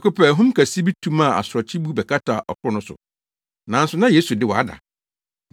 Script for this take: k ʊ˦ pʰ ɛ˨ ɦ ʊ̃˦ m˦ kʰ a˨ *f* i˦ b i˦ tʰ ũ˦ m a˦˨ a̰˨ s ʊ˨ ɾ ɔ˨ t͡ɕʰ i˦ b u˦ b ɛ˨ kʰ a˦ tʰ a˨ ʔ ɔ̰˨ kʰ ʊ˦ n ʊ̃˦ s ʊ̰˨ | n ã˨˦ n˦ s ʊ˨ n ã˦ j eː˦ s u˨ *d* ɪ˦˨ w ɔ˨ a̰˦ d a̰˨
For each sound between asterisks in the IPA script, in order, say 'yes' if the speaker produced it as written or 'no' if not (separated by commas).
no, yes